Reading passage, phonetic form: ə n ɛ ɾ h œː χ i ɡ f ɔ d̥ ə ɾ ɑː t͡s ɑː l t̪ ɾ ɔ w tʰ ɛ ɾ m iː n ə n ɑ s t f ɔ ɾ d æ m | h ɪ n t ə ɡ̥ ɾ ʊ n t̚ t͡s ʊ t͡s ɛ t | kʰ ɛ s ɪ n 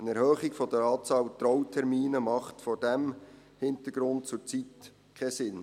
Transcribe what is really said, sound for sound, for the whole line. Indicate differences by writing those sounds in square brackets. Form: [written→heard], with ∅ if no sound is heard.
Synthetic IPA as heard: ə n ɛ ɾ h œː χ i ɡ f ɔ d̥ ə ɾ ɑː t͡s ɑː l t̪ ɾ ɔ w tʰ ɛ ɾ m iː n ə [n→m] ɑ [s→χ] t f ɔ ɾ d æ m | h ɪ n t ə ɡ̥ ɾ ʊ n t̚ t͡s ʊ t͡s [ɛ→i] t | kʰ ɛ s ɪ n

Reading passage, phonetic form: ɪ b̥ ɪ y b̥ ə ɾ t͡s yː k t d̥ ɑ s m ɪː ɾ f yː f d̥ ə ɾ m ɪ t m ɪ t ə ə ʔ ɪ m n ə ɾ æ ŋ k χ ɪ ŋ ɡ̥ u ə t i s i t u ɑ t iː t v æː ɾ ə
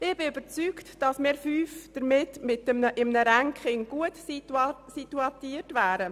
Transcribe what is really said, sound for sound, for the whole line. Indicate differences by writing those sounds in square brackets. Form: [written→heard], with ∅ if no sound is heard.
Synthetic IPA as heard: ɪ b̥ ɪ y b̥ ə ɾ t͡s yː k t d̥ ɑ s m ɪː ɾ f yː f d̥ ə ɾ m ɪ t m ɪ t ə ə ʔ ɪ m n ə ɾ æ ŋ k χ ɪ ŋ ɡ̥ u ə t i s i t u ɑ t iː t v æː ɾ ə

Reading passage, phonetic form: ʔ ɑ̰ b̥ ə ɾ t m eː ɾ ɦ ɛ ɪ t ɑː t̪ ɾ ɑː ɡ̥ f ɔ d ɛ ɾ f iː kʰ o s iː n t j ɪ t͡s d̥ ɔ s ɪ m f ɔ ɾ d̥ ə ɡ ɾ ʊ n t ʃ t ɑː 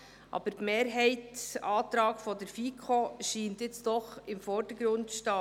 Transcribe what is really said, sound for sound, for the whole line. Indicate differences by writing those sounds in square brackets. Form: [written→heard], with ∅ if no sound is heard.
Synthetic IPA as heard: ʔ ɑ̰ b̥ ə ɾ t m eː ɾ ɦ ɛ ɪ t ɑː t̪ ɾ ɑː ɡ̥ f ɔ d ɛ ɾ f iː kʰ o [s→ʃ] iː n t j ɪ t͡s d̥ ɔ [s→χ] ɪ m f ɔ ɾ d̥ ə ɡ ɾ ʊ n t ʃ t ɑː

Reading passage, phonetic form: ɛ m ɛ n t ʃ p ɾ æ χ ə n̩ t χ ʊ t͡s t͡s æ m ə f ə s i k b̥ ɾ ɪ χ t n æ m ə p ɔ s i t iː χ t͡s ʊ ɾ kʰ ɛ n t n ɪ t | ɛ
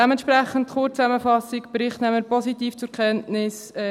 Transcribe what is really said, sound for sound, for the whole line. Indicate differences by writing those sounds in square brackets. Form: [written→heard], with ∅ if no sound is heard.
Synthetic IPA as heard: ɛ m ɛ n t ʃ p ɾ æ χ ə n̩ t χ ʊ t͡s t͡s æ m ə f [ə→ɑ] s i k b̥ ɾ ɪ χ t n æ m ə p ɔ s i t iː [χ→f] t͡s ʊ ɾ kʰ ɛ n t n ɪ [t→s] | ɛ

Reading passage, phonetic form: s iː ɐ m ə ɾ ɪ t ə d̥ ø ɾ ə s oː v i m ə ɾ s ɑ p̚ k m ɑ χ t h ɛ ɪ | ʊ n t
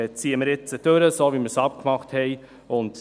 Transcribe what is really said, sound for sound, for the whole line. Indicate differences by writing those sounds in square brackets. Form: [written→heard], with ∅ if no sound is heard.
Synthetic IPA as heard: [s→t͡s] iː [ɐ→ə] m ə ɾ ɪ [t→t͡s] ə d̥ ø ɾ ə s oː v i m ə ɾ s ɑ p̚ k m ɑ χ t h ɛ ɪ | ʊ n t

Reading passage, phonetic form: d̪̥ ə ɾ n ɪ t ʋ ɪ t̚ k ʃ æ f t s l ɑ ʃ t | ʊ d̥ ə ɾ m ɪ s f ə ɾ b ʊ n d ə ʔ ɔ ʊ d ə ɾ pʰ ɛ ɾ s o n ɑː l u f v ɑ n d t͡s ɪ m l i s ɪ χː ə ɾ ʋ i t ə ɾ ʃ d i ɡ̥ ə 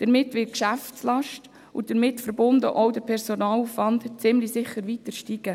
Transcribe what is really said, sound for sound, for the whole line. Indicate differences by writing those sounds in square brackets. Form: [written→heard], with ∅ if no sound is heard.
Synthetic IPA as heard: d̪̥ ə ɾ [n→m] ɪ t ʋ ɪ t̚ k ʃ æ f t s l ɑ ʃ t | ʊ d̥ ə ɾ m ɪ [s→t] f ə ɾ b ʊ n d ə ʔ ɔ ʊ d ə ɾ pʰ ɛ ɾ s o n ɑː l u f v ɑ n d t͡s ɪ m l i s ɪ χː ə ɾ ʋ i t ə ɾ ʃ [d→t] i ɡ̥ ə

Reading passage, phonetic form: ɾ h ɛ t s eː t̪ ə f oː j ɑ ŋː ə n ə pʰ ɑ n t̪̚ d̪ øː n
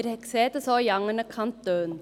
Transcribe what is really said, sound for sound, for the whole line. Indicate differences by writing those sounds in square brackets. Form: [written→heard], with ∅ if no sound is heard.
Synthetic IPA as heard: ɾ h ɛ [t→k] s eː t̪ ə [f→s] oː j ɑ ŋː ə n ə [pʰ→kʰ] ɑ n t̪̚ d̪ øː n

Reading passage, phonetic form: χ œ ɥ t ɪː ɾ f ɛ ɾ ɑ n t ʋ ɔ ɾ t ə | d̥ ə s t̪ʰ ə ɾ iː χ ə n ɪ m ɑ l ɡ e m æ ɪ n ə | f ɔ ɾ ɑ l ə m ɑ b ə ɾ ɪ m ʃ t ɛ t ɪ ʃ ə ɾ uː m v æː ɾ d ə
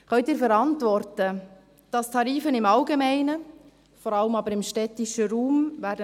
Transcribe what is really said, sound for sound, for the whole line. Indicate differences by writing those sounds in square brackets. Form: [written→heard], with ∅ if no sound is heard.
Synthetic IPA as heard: χ œ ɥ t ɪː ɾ f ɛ ɾ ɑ n t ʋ ɔ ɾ t ə | d̥ [ə→ɑ] s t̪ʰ [ə→ɑ] ɾ iː [χ→f] ə n ɪ m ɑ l ɡ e m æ ɪ n ə | f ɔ ɾ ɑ l ə m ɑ b ə ɾ ɪ m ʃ t ɛ t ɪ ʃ ə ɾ uː m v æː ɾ d ə

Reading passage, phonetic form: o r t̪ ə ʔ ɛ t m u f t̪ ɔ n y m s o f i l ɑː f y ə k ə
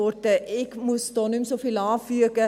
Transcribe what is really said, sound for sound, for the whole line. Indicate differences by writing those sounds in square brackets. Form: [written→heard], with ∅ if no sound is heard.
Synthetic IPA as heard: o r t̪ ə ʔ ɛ [t→k] m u [f→s] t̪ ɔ n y m s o f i l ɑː f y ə k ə

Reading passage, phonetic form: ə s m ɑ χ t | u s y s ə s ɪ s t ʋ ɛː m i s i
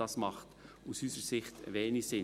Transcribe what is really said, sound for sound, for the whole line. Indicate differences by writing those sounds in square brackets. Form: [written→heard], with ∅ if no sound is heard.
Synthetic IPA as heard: [ə→ɑ] s m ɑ χ t | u s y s ə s ɪ [s→χ] t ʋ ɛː [m→n] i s [i→ɪ]

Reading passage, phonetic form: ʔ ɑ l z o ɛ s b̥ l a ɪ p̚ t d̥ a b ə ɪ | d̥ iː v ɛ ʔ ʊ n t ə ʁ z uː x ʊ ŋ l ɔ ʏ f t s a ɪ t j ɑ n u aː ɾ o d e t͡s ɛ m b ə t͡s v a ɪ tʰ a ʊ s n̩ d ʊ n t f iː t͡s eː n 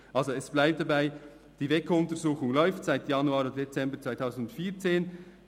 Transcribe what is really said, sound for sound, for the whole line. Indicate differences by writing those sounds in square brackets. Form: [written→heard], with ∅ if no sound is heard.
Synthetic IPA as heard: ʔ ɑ l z o ɛ s b̥ l a ɪ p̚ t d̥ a b [ə→a] ɪ | d̥ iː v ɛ [ʔ→k] ʊ n t ə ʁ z uː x ʊ ŋ l ɔ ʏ f t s a ɪ t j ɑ n u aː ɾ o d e t͡s ɛ m b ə t͡s v a ɪ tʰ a ʊ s n̩ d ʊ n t f iː t͡s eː n

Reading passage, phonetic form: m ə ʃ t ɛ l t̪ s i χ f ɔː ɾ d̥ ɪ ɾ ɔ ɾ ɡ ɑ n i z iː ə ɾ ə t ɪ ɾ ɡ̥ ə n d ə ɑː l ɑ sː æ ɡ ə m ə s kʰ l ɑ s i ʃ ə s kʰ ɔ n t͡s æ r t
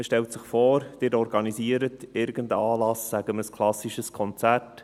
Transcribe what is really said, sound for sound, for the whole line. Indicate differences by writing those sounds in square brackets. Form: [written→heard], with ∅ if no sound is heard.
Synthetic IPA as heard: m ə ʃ t ɛ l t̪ s [i→ɪ] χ f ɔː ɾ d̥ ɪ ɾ ɔ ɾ ɡ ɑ n i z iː ə ɾ ə t ɪ ɾ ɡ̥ ə n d ə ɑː l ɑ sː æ ɡ ə m ə s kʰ l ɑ s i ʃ ə s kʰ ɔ n t͡s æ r t

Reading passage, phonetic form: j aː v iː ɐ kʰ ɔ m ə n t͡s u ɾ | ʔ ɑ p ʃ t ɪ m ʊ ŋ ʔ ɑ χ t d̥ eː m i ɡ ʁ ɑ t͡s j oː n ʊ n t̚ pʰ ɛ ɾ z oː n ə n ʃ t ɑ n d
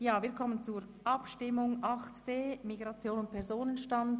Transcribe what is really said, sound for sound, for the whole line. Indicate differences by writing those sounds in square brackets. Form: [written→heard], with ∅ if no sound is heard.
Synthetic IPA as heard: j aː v iː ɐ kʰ ɔ m ə n t͡s u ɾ | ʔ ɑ p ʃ t ɪ m ʊ ŋ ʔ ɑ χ t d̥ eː m i ɡ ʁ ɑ t͡s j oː n ʊ n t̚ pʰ ɛ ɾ z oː n ə n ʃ t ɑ n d

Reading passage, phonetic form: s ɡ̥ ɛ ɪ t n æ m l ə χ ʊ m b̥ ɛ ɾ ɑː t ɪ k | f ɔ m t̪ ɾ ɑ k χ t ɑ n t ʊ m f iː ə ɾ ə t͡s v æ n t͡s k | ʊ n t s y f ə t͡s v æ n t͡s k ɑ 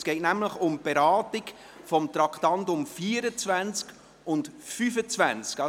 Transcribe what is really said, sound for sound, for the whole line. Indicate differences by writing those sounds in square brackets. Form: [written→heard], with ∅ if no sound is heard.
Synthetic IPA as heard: s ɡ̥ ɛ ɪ t n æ m l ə χ ʊ m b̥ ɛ ɾ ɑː t ɪ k | f ɔ m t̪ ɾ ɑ k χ t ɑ n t ʊ m f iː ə ɾ ə t͡s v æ n t͡s k | ʊ n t [s→f] y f ə t͡s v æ n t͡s k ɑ

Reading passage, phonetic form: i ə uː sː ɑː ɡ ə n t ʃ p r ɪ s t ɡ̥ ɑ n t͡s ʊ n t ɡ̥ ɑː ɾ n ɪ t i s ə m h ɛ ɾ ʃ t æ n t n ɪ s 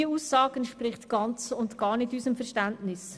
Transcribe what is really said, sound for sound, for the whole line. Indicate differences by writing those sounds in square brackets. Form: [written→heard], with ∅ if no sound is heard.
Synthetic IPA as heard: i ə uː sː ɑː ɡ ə n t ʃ p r ɪ [s→χ] t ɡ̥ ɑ n t͡s ʊ n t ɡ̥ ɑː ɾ n ɪ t [i→y] s ə m [h→f] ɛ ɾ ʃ t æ n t n ɪ s

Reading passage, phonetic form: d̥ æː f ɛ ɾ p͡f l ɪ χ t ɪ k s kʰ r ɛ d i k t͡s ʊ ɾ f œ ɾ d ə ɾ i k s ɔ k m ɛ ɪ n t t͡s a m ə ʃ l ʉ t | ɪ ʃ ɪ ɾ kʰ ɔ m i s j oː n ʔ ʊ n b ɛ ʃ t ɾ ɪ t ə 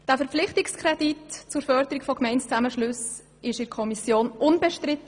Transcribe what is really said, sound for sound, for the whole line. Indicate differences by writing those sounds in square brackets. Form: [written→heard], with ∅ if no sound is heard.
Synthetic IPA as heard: d̥ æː f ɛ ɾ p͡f l ɪ χ t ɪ k s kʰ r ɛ d i [k→t] t͡s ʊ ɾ f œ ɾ d ə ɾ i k [s→f] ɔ k m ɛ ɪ n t t͡s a m ə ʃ l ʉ [t→s] | ɪ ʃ ɪ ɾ kʰ ɔ m i s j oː n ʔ ʊ n b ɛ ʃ t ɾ ɪ t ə

